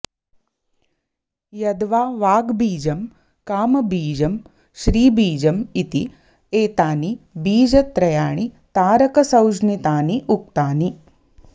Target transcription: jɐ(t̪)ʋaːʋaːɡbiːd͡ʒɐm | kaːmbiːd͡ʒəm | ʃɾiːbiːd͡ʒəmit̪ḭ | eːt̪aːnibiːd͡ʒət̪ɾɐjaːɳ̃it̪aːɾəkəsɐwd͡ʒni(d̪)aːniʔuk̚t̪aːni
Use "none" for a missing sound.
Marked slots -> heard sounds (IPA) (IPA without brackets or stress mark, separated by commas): d̪, t̪